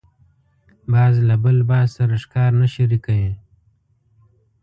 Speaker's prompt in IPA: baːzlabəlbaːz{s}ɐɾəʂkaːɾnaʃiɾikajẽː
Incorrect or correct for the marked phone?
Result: correct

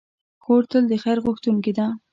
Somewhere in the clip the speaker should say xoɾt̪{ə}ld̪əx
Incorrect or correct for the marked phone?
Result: correct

